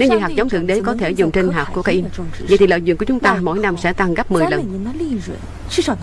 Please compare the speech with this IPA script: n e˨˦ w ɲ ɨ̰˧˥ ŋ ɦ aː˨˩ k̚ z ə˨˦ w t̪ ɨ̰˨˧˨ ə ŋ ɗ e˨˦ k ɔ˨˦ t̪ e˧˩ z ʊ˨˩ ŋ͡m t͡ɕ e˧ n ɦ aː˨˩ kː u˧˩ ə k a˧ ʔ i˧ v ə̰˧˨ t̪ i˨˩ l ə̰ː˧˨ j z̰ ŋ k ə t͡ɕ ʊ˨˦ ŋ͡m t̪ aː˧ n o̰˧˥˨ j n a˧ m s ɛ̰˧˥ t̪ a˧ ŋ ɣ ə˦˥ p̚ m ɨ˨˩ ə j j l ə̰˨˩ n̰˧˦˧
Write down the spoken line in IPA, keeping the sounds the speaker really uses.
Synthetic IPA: n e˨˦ w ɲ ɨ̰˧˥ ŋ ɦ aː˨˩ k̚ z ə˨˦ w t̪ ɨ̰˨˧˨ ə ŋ ɗ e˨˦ k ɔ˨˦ t̪ʰ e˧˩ z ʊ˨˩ ŋ͡m t͡ɕ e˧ n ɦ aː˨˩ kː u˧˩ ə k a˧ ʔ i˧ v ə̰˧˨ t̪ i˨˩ l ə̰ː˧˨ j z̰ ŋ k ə t͡ɕ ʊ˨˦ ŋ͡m t̪ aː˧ m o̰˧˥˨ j n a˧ m s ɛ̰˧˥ t̪ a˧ ŋ ɣ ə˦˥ p̚ m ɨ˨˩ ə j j l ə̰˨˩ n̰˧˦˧

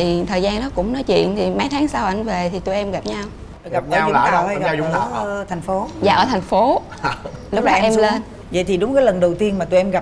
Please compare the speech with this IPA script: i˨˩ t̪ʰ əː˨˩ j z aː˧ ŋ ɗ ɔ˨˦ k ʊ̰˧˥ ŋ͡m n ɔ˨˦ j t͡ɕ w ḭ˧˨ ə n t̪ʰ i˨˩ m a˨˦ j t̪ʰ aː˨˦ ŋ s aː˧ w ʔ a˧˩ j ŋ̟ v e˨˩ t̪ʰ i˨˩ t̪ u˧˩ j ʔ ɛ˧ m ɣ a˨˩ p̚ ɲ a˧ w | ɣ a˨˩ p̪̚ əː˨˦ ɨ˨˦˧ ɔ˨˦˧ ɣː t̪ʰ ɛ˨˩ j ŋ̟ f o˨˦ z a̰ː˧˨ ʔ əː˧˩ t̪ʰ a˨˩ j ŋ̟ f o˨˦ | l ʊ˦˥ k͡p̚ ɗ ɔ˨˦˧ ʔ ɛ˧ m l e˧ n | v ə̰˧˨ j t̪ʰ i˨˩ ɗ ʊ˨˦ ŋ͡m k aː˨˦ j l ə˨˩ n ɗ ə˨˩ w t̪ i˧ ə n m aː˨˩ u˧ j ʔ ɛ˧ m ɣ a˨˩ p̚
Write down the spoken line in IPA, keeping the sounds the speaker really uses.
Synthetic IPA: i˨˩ t̪ʰ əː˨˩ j z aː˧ n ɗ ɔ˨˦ k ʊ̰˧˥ ŋ͡m n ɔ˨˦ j t͡ɕ w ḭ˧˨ ə n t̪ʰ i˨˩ m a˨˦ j t̪ʰ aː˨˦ ŋ s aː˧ w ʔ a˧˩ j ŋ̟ v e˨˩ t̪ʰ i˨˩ t̪ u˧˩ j ʔ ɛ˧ m ɣ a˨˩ p̚ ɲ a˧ w | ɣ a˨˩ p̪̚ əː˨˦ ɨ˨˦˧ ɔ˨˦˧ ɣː t̪ʰ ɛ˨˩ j ŋ̟ f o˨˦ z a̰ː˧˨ ʔ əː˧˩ t̪ʰ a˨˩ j ŋ̟ f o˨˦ | l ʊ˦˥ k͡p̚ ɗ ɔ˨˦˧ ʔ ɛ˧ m l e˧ n | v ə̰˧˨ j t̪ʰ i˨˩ ɗ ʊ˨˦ ŋ͡m k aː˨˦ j l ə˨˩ n ɗ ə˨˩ w t̪ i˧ ə n m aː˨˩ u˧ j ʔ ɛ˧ m ɣ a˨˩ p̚

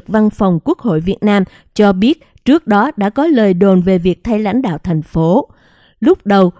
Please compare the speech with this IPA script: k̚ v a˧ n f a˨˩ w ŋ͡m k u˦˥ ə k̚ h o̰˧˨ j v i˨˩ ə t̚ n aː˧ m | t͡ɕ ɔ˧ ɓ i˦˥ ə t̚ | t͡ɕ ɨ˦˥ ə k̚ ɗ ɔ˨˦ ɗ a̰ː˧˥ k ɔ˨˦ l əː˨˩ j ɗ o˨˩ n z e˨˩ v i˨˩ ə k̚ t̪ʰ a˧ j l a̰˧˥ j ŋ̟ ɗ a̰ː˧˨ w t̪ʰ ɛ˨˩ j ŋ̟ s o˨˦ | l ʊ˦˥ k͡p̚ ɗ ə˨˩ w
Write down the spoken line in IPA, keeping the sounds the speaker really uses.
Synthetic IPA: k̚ v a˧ n f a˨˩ w ŋ͡m k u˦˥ ə k̚ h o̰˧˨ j v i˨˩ ə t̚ n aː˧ m | t͡ɕ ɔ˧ ɓ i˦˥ ə t̚ | t͡ɕ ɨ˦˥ ə k̚ ɗ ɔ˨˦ ɗ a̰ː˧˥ k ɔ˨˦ l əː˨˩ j ɗ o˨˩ n v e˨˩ v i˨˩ ə k̚ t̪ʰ a˧ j l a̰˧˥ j ŋ̟ ɗ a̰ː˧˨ w t̪ʰ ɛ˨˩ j ŋ̟ f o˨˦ | l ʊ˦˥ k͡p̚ ɗ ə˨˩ w

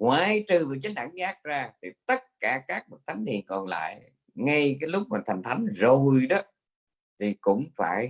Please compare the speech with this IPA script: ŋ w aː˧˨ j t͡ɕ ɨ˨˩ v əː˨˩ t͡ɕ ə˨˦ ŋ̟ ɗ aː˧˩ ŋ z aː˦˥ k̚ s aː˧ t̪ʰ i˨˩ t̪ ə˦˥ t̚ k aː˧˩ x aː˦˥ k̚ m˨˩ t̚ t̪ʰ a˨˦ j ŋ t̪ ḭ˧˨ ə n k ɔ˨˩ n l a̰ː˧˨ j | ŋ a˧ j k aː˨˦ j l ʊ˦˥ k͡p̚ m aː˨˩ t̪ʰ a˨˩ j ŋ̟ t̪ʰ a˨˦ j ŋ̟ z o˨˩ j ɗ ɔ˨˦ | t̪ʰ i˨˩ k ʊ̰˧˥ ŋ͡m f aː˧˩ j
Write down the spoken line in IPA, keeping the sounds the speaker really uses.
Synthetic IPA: ŋ w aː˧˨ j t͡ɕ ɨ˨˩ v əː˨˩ t͡ɕ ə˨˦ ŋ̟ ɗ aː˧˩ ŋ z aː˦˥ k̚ z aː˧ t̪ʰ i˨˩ t̪ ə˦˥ t̚ k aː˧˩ k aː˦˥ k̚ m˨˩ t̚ t̪ʰ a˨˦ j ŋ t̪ ḭ˧˨ ə n k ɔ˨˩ n l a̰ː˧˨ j | ŋ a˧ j k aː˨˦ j l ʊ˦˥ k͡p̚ m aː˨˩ t̪ʰ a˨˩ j ŋ̟ t̪ʰ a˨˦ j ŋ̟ z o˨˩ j ɗ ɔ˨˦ | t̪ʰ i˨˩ k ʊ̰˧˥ ŋ͡m f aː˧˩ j

